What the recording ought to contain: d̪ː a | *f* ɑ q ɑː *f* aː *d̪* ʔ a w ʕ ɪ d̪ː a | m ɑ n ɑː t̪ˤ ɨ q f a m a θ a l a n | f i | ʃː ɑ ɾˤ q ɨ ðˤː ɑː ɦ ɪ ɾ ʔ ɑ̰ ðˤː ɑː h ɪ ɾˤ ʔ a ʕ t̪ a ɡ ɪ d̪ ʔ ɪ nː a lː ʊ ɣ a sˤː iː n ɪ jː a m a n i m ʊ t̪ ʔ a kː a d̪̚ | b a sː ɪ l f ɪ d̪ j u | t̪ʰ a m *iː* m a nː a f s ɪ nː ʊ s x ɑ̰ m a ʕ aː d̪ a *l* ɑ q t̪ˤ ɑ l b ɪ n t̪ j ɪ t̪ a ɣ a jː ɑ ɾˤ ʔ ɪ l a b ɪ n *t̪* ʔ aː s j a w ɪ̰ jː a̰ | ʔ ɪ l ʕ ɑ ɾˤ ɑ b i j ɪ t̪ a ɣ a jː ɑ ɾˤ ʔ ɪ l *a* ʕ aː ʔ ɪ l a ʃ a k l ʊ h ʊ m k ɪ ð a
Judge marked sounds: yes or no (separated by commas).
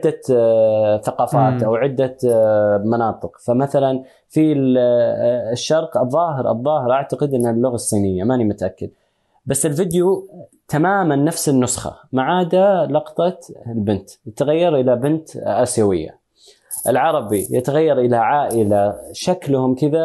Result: no, yes, no, no, yes, yes, yes